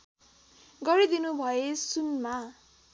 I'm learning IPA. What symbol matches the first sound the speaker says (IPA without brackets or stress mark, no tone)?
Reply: ɡ